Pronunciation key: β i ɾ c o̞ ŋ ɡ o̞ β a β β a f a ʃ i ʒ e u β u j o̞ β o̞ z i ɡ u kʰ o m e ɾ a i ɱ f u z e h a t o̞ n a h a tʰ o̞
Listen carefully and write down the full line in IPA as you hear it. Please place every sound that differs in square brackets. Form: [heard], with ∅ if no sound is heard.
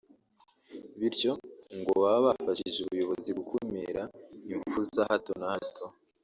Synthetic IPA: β i ɾ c o̞ ŋ ɡ o̞ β a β β a f a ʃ i ʒ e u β u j o̞ β o̞ z i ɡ u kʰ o m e ɾ a i ɱ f u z [a] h a t o̞ n a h a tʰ o̞